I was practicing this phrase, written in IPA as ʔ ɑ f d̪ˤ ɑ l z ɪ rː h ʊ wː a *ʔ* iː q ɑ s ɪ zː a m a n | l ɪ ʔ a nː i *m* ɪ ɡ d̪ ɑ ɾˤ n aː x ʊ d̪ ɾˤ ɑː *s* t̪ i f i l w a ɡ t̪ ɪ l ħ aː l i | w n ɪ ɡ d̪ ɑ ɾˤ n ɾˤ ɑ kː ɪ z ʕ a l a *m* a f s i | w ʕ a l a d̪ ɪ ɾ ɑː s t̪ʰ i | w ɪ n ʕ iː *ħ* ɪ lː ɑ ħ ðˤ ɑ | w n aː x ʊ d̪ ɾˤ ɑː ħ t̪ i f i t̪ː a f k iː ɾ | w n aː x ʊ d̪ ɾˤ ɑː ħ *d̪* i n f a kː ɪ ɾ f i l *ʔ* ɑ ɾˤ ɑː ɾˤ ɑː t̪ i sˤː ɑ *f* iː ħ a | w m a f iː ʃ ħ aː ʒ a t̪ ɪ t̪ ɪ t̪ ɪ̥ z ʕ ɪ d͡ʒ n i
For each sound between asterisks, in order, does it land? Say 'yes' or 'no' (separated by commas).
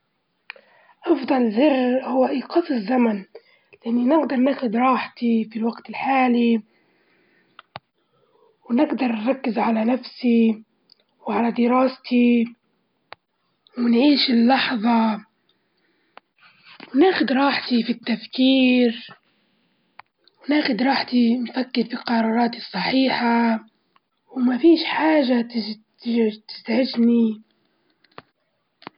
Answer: yes, no, no, no, no, no, no, no